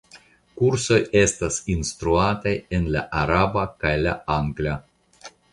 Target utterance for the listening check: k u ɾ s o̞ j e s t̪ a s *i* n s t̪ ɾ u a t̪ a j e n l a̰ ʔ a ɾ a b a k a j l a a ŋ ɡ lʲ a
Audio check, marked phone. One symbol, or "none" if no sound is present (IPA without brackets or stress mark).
i